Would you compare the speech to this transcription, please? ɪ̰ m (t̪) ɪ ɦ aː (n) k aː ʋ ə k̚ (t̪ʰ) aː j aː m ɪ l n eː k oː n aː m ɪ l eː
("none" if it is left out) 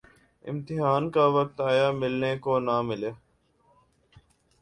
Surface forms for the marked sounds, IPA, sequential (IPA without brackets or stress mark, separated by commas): t̪, n, t̪